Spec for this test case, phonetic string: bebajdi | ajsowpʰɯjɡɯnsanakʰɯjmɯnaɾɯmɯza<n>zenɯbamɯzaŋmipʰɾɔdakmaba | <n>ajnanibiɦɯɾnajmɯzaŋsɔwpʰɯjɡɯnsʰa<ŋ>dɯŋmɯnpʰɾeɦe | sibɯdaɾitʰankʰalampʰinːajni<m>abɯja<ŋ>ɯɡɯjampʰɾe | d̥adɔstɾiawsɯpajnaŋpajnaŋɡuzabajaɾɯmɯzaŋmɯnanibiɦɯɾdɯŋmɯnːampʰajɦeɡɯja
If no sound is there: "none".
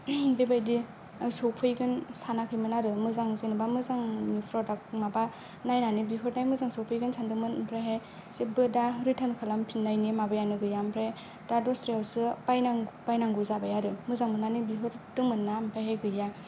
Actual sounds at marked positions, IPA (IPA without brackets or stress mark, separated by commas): ŋ, n, n, m, n